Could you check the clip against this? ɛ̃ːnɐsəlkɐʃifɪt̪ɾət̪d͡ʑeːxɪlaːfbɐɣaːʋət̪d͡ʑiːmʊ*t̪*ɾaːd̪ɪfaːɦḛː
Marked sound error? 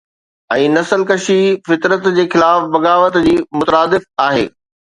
no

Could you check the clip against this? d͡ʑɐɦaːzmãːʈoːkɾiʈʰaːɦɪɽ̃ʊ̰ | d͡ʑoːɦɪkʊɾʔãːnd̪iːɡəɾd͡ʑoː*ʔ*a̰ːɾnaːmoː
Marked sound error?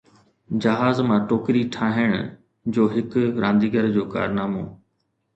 yes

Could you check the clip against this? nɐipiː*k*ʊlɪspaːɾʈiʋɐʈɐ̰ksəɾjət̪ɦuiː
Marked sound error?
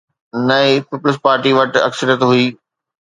yes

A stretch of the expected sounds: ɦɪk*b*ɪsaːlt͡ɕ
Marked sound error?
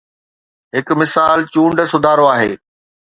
yes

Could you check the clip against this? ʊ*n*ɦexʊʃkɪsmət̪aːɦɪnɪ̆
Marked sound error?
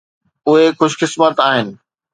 yes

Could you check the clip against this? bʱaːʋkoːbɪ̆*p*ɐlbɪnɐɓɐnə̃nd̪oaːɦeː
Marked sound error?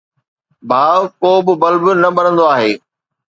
yes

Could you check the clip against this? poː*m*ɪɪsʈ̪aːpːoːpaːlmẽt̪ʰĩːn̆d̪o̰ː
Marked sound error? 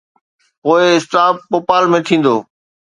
yes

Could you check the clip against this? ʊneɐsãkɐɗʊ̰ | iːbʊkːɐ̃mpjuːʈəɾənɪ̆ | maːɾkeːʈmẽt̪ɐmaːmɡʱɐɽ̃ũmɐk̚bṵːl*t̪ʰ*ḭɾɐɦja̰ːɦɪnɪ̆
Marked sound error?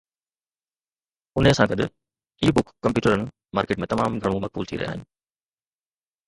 no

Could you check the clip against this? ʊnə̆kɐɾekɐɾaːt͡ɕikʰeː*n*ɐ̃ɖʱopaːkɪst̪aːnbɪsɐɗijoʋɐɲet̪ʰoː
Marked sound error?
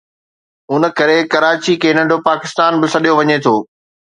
no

